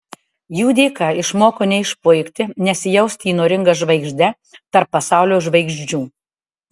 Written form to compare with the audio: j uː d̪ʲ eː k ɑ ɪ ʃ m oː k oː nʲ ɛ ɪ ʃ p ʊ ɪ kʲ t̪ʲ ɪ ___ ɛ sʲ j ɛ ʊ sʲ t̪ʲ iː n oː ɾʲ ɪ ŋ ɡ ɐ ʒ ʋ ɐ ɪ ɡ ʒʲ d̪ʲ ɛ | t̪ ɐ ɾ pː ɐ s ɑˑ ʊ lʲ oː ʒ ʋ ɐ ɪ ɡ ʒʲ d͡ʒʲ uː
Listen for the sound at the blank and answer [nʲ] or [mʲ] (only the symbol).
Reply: nʲ